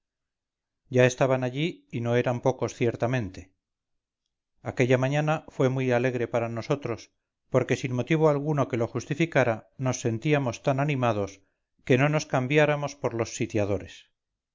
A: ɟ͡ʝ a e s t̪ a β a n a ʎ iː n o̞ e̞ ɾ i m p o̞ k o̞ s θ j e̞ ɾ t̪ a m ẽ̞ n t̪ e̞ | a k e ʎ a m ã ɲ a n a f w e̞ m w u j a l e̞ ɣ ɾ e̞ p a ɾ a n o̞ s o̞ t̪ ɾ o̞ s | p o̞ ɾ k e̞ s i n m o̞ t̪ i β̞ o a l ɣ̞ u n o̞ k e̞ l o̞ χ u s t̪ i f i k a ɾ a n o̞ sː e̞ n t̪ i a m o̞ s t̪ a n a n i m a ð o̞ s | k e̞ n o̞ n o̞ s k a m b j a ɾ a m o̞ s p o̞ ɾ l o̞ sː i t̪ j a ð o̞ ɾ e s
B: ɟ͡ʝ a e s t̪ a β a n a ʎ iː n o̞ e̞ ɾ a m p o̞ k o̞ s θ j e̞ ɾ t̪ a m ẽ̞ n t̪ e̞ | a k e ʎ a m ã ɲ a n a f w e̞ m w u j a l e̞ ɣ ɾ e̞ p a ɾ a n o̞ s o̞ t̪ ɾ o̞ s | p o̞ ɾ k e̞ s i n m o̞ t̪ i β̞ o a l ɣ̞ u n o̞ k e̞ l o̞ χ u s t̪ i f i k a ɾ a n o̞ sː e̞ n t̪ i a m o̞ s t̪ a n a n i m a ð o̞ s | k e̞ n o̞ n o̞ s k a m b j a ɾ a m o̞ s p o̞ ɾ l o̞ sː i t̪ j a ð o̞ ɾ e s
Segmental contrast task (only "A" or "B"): B